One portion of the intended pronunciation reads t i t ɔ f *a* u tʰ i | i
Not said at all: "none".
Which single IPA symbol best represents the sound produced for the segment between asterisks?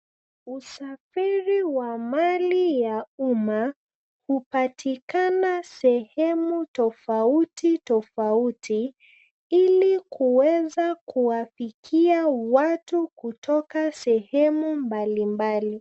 a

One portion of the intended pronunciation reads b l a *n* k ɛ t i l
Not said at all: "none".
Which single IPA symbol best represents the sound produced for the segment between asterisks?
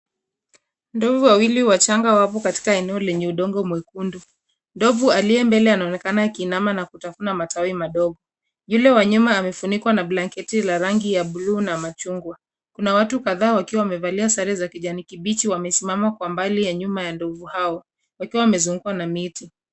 ŋ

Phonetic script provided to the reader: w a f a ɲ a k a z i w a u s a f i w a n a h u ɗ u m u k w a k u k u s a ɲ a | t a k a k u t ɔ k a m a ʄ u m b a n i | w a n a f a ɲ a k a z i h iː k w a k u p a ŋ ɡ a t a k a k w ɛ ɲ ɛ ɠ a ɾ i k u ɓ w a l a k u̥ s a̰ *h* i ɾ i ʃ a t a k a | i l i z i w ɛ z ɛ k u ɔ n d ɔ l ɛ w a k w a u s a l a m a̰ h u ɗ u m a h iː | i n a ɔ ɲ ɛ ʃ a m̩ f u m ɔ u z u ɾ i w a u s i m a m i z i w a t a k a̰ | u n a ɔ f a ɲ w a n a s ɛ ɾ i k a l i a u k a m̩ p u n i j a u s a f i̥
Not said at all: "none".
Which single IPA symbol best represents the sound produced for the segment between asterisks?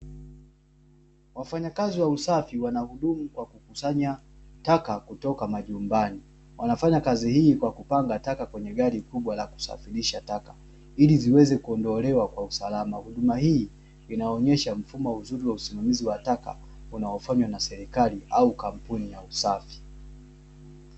f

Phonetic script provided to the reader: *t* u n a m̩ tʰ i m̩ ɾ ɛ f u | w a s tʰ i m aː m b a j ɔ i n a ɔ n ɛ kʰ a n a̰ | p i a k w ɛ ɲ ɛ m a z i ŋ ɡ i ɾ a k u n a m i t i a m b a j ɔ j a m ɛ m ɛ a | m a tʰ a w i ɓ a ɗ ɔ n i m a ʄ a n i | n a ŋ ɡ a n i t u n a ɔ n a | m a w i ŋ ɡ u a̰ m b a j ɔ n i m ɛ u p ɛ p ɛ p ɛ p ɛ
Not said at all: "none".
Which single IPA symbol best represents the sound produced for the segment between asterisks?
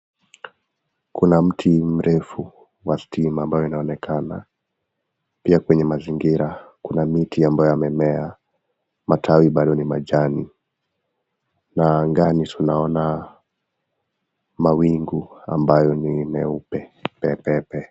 k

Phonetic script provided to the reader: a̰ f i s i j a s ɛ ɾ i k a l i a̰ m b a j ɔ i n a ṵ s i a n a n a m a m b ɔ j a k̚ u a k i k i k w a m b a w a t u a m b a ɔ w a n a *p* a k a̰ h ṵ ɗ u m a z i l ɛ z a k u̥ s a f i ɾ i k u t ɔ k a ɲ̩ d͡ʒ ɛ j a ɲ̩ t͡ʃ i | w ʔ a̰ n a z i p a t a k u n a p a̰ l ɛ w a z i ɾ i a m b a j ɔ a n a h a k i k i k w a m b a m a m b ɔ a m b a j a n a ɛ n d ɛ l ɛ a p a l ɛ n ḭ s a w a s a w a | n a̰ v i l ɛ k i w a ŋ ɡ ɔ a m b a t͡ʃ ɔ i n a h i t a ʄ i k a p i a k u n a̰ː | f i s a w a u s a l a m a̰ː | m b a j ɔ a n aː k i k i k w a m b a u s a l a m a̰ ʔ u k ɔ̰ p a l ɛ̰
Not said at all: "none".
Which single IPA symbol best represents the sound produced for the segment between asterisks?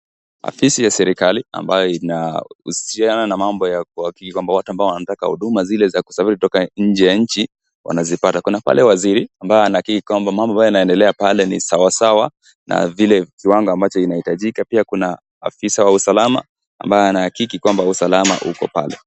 t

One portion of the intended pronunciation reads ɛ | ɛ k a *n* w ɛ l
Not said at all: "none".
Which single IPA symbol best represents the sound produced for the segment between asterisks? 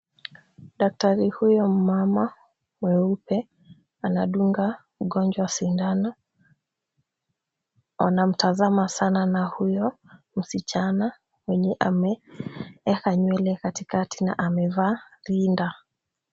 ɲ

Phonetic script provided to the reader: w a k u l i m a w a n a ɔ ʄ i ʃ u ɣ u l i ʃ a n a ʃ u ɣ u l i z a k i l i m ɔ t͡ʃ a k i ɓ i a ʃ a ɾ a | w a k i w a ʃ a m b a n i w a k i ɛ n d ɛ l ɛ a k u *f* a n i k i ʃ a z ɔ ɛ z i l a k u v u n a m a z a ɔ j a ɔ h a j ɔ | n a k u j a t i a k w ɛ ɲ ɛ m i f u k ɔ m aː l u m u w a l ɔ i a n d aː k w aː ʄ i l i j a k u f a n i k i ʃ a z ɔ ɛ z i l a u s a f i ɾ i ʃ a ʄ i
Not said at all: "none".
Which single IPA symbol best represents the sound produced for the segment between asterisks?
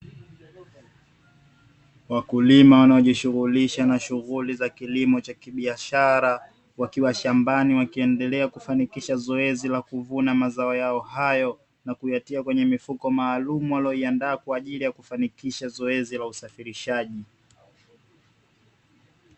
f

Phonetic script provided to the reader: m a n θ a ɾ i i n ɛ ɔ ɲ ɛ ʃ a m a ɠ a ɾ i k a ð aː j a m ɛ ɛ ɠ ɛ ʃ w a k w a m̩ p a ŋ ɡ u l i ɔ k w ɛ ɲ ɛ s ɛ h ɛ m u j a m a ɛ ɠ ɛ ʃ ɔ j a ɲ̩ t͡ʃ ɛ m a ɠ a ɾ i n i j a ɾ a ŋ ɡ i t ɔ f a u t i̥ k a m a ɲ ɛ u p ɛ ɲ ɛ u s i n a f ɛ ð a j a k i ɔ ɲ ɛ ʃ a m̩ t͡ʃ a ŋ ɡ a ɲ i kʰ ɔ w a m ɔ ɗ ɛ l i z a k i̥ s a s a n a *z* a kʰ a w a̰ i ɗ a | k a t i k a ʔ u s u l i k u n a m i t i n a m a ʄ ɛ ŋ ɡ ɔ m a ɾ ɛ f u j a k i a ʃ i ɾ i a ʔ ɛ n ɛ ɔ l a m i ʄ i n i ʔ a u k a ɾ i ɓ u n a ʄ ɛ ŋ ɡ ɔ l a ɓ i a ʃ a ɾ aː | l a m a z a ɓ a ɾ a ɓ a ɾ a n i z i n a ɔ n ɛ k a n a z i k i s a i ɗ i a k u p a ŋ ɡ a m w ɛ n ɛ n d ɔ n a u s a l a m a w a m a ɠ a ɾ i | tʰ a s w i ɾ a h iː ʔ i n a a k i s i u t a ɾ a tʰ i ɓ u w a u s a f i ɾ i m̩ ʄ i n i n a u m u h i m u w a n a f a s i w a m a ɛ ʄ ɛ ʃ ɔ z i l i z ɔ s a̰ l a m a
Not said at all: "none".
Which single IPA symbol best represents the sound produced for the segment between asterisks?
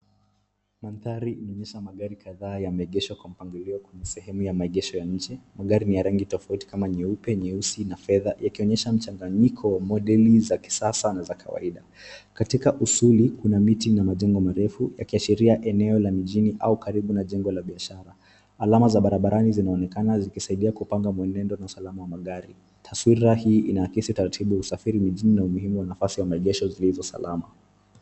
z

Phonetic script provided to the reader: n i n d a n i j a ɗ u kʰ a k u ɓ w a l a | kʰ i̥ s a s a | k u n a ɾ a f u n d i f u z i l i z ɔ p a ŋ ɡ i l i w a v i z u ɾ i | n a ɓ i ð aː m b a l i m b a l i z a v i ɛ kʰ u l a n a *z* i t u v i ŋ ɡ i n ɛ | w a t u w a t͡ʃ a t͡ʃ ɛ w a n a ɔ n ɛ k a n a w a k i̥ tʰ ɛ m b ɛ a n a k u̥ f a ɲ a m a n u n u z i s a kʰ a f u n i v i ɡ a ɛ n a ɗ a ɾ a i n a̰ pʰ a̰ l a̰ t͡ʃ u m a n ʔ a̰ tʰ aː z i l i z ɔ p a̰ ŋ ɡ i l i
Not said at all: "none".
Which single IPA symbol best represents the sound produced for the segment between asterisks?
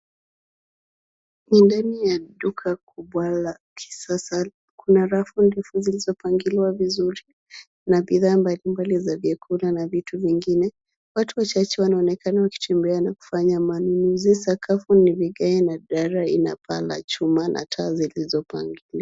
v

